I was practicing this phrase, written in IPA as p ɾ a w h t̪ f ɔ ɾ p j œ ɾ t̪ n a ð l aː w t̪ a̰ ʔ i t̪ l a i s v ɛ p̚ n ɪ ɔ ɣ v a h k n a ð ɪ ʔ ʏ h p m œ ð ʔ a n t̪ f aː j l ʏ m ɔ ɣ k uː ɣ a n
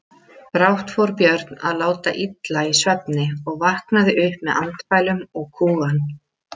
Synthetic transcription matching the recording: p ɾ a w h t̪ f ɔ ɾ p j œ ɾ t̪ n a ð l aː w t̪ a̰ ʔ i t̪ l a i s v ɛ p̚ n ɪ ɔ ɣ v a h k n a ð ɪ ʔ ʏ h p m ɛ ð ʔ a n t̪ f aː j l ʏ m ɔ ɣ kʰ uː ɣ a n